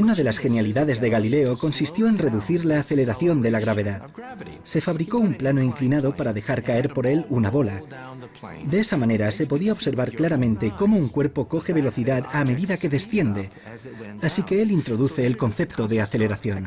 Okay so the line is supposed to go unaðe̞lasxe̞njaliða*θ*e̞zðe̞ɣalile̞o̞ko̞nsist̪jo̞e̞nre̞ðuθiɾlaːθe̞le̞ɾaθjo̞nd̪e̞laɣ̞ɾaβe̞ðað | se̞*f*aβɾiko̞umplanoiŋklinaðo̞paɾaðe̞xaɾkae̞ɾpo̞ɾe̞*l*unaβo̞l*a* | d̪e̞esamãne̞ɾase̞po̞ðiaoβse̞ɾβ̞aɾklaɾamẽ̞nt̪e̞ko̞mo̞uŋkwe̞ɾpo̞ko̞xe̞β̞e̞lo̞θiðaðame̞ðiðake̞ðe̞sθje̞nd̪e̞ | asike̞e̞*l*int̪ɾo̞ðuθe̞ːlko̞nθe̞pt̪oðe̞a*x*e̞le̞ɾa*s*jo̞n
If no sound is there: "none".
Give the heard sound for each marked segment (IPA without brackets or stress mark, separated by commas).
ð, f, l, a, l, θ, θ